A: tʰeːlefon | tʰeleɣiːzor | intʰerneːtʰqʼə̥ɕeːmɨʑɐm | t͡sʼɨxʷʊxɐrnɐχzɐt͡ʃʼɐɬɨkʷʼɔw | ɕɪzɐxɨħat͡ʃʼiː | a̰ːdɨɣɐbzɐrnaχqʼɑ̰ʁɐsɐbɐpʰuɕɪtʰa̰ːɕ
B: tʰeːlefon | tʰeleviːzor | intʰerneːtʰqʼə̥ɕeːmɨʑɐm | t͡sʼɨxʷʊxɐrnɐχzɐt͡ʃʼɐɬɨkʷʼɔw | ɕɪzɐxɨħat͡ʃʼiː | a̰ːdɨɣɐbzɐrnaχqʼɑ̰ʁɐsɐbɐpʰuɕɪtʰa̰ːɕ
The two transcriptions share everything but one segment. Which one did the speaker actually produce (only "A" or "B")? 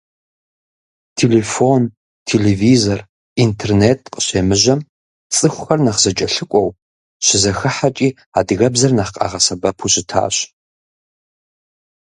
B